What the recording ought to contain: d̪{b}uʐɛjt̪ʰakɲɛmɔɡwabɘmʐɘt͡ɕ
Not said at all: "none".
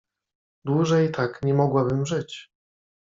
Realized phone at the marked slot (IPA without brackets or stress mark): w